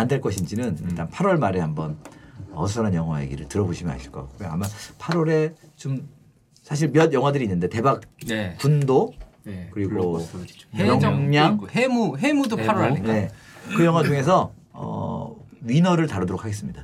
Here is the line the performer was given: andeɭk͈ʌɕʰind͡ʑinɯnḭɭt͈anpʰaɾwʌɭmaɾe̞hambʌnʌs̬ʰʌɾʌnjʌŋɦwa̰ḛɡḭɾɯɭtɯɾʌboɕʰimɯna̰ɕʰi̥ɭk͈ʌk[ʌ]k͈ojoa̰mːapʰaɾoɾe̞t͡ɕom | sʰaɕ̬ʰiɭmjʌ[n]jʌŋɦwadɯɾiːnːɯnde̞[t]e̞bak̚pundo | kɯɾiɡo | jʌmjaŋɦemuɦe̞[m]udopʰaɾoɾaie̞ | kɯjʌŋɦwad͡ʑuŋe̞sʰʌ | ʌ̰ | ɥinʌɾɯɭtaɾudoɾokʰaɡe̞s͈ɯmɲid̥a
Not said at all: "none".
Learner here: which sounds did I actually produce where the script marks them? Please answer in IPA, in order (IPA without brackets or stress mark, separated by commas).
a, d, t, m